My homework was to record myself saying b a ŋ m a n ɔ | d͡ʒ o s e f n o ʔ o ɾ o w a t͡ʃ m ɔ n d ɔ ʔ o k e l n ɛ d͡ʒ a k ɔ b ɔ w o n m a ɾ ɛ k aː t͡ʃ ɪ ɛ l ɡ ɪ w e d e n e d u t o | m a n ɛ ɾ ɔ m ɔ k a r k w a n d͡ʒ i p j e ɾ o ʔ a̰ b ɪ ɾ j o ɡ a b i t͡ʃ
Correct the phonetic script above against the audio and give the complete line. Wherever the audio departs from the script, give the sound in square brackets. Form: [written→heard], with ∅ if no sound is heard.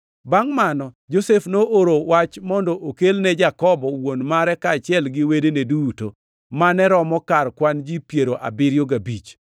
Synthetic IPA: b a ŋ m a n ɔ | d͡ʒ o s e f n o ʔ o ɾ o w a t͡ʃ m ɔ n d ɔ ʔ o k e l n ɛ d͡ʒ a k ɔ b ɔ w o n m a ɾ ɛ k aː t͡ʃ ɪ ɛ l ɡ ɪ w e d e n e d u t o | m a n ɛ ɾ ɔ m ɔ k a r k w a n d͡ʒ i p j e ɾ o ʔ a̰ b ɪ ɾ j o ɡ a b i t͡ʃ